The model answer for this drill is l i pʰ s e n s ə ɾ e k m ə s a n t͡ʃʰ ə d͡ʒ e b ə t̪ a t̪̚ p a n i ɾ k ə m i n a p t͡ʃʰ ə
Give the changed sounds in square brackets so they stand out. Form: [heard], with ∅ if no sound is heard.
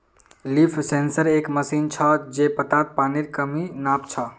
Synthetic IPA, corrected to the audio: l i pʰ s e n s ə ɾ e k m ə s [i] n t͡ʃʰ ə d͡ʒ e [p] ə t̪ a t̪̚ p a n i ɾ k ə m i n a p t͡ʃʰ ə